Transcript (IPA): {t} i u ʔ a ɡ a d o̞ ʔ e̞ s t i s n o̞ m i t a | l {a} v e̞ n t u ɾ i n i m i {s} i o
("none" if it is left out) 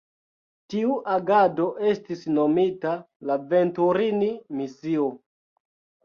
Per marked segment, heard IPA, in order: t, a, s

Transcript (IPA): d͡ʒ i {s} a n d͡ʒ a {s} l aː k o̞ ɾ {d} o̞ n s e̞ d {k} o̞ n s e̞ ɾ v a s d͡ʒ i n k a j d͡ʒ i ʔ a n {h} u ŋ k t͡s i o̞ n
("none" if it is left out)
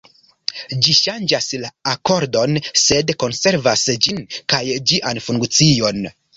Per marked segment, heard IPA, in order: ʃ, s, d, k, f

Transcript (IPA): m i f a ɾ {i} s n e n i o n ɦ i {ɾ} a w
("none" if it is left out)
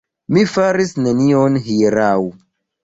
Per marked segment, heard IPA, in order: i, ɾ

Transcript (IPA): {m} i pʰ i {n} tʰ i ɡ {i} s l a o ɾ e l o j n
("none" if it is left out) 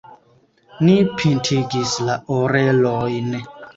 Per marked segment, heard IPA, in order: n, n, i

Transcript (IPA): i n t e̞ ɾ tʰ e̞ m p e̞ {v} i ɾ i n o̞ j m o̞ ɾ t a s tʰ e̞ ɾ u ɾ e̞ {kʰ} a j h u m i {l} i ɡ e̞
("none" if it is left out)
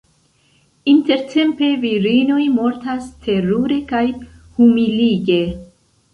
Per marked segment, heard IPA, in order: v, k, l

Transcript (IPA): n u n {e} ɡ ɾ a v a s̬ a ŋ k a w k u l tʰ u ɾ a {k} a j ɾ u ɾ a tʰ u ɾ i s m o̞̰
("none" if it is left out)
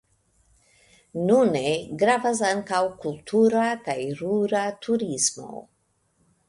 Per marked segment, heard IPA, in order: e, k

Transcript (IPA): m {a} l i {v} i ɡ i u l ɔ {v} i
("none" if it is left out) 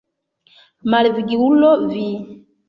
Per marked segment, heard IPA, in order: a, v, v

